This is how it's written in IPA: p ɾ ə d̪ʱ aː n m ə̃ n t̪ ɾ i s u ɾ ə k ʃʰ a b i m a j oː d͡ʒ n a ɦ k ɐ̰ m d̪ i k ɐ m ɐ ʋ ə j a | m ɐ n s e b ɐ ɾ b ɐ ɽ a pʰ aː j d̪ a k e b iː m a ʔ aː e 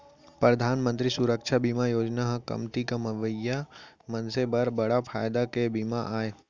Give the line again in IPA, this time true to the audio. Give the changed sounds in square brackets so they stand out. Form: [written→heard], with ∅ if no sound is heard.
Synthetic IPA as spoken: p ɾ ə d̪ʱ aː n m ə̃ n t̪ ɾ i s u ɾ ə k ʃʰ a b i m a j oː d͡ʒ n a ɦ k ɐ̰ m [d̪→t̪] i k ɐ m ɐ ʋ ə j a | m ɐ n s e b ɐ ɾ b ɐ ɽ a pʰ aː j d̪ a k e b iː m a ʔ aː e